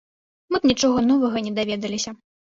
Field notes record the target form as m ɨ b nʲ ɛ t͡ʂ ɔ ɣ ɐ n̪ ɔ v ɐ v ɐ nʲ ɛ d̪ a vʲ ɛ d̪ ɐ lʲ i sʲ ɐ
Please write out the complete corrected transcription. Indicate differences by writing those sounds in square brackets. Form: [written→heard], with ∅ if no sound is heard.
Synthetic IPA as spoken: m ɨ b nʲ [ɛ→i] t͡ʂ ɔ ɣ ɐ n̪ ɔ v ɐ [v→ɣ] ɐ nʲ ɛ d̪ a vʲ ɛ d̪ ɐ lʲ i sʲ ɐ